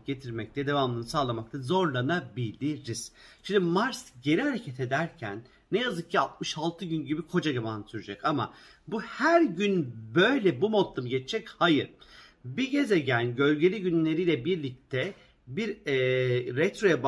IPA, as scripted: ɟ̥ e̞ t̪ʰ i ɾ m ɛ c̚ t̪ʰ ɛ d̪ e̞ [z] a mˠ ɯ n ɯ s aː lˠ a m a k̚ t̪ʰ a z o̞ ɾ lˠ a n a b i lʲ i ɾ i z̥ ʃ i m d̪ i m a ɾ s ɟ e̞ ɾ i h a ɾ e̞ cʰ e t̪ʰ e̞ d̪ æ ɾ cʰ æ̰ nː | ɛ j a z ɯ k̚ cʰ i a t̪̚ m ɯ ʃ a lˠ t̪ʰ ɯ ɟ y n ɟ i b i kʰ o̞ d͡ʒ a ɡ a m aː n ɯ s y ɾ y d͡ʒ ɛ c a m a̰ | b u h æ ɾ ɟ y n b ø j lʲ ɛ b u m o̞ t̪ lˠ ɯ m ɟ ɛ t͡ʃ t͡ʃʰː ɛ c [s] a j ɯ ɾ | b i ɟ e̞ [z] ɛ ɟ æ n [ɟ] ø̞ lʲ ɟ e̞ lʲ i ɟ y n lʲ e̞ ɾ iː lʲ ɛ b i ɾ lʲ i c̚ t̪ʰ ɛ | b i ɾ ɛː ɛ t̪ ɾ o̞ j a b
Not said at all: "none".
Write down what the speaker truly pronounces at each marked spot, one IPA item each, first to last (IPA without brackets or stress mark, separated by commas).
v, h, z, ɟ